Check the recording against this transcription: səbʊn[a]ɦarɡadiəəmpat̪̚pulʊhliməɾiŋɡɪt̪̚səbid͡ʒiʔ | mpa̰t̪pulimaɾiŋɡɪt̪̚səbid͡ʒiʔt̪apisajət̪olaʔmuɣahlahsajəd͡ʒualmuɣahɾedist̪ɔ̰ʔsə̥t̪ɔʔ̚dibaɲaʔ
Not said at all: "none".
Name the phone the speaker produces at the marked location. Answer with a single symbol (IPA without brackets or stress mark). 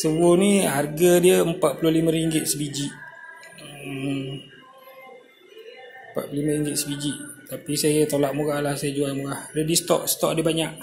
i